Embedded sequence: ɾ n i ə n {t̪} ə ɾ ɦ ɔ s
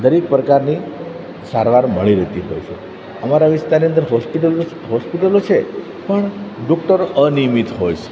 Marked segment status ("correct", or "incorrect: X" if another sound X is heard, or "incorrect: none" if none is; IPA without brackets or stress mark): incorrect: d̪